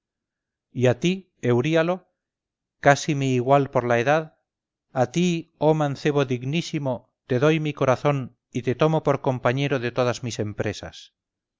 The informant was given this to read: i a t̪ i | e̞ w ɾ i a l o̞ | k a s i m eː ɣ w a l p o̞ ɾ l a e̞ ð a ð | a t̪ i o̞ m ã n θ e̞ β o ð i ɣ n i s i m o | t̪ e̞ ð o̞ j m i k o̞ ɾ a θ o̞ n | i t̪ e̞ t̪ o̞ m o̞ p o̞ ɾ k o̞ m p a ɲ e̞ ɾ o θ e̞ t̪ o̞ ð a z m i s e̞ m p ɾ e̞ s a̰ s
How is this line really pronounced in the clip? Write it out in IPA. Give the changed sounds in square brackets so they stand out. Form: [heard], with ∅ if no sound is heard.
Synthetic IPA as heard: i a t̪ i | e̞ w ɾ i a l o̞ | k a s i m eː ɣ w a l p o̞ ɾ l a e̞ ð a ð | a t̪ i o̞ m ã n θ e̞ β o ð i ɣ n i s i m o | t̪ e̞ ð o̞ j m i k o̞ ɾ a θ o̞ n | i t̪ e̞ t̪ o̞ m o̞ p o̞ ɾ k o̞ m p a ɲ e̞ ɾ o [ð] e̞ t̪ o̞ ð a z m i s e̞ m p ɾ e̞ s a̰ s